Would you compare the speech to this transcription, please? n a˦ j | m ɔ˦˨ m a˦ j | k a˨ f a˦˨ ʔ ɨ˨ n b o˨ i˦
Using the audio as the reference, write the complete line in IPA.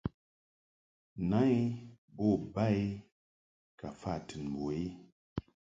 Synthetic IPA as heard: n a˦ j | b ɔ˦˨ b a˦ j | k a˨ f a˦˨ t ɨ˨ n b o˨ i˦